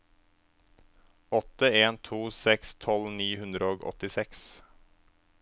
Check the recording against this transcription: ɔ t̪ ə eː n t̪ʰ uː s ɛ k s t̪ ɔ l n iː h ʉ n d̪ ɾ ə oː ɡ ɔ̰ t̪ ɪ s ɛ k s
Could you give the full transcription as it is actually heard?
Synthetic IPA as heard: ɔ t̪ ə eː n t̪ʰ uː s ɛ k s t̪ʰ ɔ l n iː h ʉ n d̪ ɾ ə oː ɡ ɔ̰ t̪ ɪ s ɛ k s